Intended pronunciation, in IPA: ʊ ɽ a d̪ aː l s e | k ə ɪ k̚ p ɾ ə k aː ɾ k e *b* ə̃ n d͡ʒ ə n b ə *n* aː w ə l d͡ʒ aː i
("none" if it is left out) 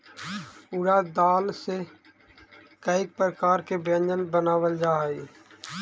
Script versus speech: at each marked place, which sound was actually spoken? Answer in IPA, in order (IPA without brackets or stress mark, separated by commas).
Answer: b, n